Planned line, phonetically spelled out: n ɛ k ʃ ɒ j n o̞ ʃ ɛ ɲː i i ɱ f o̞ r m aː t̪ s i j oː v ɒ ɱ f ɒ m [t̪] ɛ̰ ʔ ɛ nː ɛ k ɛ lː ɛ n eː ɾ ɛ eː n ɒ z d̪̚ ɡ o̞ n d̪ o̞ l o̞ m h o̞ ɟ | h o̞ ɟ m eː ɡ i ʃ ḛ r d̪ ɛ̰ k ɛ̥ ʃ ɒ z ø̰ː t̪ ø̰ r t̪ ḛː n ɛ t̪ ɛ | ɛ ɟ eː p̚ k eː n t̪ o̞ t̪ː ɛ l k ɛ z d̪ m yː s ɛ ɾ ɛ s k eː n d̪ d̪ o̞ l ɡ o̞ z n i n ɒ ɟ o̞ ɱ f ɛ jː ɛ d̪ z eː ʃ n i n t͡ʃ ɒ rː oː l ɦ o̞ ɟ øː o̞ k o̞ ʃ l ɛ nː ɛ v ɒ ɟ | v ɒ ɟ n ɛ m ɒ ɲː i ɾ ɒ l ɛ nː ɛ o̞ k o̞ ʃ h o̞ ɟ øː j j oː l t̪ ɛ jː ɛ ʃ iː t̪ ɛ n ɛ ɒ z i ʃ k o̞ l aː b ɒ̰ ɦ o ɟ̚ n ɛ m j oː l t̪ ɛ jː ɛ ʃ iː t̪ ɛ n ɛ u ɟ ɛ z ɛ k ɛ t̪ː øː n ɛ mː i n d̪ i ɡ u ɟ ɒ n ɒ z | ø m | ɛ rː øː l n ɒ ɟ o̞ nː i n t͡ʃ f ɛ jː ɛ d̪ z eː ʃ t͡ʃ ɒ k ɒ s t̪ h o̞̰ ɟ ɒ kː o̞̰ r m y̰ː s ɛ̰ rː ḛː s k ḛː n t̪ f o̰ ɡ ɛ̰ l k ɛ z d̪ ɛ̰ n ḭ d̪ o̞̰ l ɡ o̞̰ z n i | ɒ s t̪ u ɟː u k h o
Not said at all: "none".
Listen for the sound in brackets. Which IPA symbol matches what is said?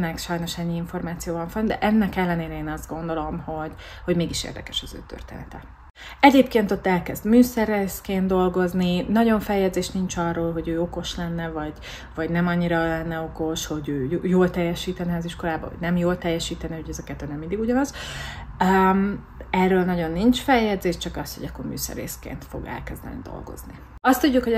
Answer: d̪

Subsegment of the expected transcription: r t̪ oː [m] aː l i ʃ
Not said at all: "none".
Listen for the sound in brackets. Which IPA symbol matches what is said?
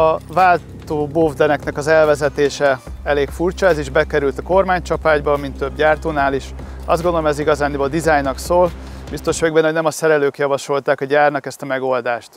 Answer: n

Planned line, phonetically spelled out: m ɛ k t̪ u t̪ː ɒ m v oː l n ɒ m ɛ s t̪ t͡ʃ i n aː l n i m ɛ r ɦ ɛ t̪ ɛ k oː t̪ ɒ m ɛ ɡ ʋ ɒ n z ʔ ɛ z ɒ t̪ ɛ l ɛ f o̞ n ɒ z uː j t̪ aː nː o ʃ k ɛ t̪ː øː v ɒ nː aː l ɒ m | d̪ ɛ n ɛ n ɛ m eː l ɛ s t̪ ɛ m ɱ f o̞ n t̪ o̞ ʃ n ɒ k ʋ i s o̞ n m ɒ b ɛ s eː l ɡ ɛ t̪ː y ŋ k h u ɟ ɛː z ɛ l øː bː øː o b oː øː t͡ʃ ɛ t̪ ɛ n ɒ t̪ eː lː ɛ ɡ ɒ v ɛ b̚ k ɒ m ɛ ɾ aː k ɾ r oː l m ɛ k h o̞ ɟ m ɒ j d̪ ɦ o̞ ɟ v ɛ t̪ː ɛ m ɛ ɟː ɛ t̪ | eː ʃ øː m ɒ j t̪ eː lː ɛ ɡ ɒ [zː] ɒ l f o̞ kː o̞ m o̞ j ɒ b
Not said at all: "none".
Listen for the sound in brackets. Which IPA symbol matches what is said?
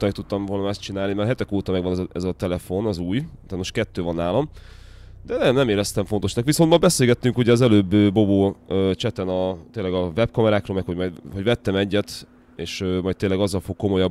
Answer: zː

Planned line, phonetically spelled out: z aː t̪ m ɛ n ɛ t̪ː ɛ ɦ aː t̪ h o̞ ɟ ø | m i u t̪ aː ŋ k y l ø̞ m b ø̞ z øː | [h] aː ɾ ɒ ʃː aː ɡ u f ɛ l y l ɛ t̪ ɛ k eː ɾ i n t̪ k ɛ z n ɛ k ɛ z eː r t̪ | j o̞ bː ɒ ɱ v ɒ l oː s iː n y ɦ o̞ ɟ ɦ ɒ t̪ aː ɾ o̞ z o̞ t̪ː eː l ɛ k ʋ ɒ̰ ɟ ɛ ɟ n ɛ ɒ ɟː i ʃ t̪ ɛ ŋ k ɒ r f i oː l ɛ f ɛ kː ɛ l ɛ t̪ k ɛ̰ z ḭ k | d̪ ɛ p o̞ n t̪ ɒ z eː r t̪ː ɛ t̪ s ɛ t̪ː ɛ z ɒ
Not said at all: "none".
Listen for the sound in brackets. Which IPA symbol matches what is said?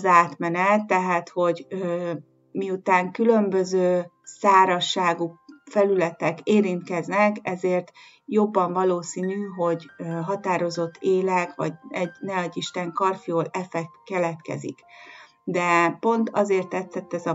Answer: s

